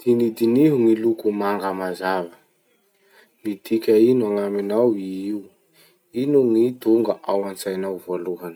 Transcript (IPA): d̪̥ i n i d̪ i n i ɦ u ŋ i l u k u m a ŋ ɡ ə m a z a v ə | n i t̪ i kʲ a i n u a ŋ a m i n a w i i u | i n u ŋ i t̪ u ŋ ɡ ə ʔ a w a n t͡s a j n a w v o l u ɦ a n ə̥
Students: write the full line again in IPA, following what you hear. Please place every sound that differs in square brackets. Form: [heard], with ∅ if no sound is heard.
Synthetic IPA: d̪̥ i n i d̪ i n i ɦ u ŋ i l u k u m a ŋ ɡ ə m a z a v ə | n i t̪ i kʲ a i n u a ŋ a m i n a w i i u | i n u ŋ i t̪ u ŋ ɡ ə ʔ a w a n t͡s a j n a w v o l u ɦ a n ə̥